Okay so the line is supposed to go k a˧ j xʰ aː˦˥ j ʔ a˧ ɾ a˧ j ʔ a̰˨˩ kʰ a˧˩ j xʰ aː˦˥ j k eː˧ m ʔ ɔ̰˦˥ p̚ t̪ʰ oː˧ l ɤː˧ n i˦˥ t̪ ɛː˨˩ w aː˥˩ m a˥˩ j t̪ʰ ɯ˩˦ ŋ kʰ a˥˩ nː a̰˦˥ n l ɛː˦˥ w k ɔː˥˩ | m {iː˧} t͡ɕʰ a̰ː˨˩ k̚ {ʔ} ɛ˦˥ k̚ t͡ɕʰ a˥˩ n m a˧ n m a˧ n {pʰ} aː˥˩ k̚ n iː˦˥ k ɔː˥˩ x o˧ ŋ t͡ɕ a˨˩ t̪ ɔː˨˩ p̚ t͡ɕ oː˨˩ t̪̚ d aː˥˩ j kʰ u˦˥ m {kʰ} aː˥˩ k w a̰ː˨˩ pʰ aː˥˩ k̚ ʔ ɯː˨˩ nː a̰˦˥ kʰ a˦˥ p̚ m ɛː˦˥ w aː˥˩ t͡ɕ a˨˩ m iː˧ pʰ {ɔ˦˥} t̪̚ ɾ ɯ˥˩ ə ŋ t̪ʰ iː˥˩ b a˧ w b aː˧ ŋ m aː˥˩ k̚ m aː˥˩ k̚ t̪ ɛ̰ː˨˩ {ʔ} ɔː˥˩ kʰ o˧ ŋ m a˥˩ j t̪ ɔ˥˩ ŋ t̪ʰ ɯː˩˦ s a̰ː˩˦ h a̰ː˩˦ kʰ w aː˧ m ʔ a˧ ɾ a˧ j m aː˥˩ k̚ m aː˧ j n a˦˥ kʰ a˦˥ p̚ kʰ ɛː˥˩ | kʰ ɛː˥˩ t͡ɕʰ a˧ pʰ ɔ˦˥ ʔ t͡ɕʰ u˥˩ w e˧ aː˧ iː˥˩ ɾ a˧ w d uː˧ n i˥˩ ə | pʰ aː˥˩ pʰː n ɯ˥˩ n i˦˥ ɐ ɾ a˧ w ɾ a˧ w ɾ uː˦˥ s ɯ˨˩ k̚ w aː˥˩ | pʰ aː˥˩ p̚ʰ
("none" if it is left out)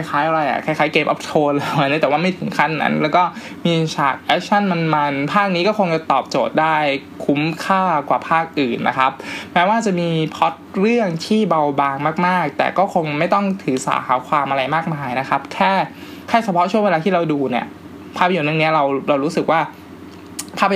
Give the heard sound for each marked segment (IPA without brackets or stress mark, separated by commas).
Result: iː˧, ʔ, pʰ, kʰ, ɔ˦˥, k